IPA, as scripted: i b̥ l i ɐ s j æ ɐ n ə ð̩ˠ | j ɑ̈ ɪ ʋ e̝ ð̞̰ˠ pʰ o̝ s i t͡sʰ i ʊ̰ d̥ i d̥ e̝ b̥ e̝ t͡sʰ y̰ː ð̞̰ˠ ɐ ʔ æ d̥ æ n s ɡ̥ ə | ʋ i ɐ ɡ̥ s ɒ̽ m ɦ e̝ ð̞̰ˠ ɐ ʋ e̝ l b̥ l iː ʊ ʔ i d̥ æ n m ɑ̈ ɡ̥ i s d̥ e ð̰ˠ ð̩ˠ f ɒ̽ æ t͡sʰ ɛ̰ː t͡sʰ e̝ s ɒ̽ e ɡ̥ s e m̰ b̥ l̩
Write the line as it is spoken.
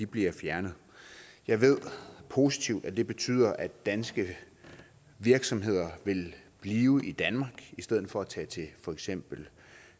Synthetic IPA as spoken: i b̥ l i ɐ f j æ ɐ n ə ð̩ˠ | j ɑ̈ ɪ ʋ e̝ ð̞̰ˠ pʰ o̝ s i t͡sʰ i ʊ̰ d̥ æ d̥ e̝ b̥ e̝ t͡sʰ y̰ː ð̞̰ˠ ɐ ʔ æ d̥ æ n s ɡ̥ ə | ʋ i ɐ ɡ̥ s ɒ̽ m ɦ e̝ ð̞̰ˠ ɐ ʋ e̝ l b̥ l iː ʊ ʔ i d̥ æ n m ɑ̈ ɡ̥ i s d̥ e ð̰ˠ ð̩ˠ f ɒ̽ æ t͡sʰ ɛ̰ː t͡sʰ e̝ f ɒ̽ e ɡ̥ s e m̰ b̥ l̩